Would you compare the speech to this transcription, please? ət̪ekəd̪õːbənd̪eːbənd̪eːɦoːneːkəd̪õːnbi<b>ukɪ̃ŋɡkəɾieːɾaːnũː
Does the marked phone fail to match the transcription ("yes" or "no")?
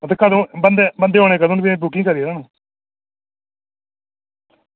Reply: no